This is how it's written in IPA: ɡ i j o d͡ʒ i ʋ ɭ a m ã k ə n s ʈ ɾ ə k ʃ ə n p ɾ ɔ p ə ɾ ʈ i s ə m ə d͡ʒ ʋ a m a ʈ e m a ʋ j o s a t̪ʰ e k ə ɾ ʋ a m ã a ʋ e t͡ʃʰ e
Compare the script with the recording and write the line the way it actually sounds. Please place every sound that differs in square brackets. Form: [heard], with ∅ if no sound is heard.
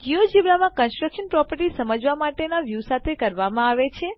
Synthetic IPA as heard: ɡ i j o d͡ʒ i ʋ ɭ a m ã k ə n s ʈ ɾ ə k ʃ ə n p ɾ ɔ p ə ɾ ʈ i s ə m ə d͡ʒ ʋ a m a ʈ e [n] a ʋ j [u] s a t̪ʰ e k ə ɾ ʋ a m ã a ʋ e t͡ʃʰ e

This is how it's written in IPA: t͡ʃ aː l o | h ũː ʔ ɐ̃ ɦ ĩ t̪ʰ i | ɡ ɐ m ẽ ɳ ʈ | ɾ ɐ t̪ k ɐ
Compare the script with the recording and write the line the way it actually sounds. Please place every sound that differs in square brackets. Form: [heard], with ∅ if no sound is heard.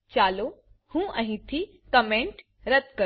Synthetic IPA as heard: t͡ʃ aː l o | h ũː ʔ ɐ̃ ɦ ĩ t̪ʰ i | [k] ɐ m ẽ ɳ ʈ | ɾ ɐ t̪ k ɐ

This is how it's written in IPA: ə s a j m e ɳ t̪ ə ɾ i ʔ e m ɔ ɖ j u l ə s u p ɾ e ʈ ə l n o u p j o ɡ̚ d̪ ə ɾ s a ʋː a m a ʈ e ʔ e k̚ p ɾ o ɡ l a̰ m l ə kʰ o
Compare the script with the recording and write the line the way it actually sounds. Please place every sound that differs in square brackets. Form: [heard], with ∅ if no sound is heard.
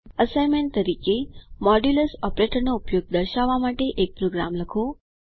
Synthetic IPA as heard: ə s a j m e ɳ t̪ ə ɾ i [k] e m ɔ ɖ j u l ə s [ɔ] p ɾ e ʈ ə [ɾ] n o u p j o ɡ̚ d̪ ə ɾ [ʃ] a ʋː a m a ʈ e ʔ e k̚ p ɾ o ɡ [ɾ] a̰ m l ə kʰ o

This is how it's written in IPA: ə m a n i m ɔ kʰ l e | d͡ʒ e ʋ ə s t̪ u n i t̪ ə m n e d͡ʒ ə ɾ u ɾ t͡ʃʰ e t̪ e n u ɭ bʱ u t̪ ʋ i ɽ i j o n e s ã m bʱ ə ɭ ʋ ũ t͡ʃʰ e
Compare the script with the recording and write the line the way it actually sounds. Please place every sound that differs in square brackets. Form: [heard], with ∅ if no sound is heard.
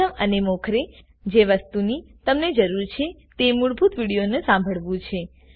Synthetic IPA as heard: ə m [ə] n [e] m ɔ kʰ [ɾ] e | d͡ʒ e ʋ ə s t̪ u n i t̪ ə m n e d͡ʒ ə ɾ u ɾ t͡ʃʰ e t̪ e [m] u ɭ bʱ u t̪ ʋ i ɽ i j o n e s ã m bʱ ə ɭ ʋ ũ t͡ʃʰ e

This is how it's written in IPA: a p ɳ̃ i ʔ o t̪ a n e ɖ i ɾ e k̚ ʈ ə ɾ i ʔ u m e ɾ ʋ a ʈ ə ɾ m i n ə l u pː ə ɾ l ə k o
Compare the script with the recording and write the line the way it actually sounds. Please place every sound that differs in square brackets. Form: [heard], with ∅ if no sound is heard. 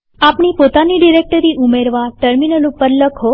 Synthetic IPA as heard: a p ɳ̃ i [p] o t̪ a n [i] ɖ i ɾ e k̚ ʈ ə ɾ i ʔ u m e ɾ ʋ a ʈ ə ɾ m i n ə l u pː ə ɾ l ə [kʰ] o

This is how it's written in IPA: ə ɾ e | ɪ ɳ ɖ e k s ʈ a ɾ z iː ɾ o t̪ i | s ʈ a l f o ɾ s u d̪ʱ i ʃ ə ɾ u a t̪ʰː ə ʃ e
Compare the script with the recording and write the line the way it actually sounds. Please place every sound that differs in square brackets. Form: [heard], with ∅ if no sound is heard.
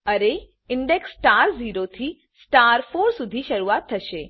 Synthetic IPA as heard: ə ɾ e | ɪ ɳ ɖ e k s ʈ a ɾ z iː ɾ o [t̪ʰ] i | s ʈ a [ɾ] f o ɾ s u d̪ʱ i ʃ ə ɾ u a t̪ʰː ə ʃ e

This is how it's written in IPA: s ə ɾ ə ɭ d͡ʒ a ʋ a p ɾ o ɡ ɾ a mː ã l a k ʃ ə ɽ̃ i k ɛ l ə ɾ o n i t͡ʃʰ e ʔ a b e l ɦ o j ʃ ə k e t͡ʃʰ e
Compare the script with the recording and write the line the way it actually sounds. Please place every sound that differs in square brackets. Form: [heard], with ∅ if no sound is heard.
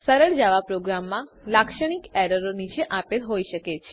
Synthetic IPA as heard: s ə ɾ ə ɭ d͡ʒ a ʋ a p ɾ o ɡ ɾ a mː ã l a k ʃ ə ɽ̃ i k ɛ [ɾ] ə ɾ o n i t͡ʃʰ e ʔ a [p] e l ɦ o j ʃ ə k e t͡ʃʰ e

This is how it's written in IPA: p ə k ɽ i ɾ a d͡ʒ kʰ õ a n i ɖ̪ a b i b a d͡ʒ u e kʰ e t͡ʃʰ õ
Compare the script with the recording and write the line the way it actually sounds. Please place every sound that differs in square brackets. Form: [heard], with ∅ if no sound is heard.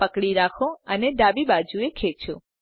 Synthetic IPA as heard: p ə k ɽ i ɾ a [∅] kʰ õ [ə] n [e] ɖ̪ a b i b a d͡ʒ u e kʰ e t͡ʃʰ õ

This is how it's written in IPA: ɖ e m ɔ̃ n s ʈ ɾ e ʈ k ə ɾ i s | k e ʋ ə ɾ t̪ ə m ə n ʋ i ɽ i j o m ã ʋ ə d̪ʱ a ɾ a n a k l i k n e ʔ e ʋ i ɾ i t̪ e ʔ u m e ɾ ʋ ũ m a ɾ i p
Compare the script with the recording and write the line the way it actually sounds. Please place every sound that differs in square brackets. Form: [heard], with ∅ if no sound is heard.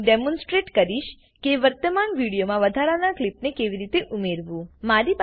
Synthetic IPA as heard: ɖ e m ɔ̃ n s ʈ ɾ e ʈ k ə ɾ i [ʃ] | k e ʋ ə ɾ t̪ ə m [a] n ʋ i ɽ i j o m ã ʋ ə d̪ʱ a ɾ a n a k l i [p] n e [k] e ʋ i ɾ i t̪ e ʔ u m e ɾ ʋ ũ m a ɾ i p

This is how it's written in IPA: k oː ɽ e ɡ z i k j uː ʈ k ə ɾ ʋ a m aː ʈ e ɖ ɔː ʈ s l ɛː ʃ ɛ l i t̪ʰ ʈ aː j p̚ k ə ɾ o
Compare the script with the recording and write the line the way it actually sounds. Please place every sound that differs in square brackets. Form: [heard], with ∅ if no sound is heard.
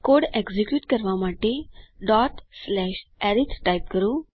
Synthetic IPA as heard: k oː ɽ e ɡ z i k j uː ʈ k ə ɾ ʋ a m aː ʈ e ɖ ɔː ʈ s l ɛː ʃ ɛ [ɾ] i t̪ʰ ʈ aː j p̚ k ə ɾ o

